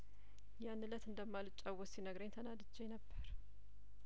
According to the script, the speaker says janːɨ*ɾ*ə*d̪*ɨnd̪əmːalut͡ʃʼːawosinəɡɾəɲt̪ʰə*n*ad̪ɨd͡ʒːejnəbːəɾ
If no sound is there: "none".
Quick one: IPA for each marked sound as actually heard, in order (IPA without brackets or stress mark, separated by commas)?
l, t̪, n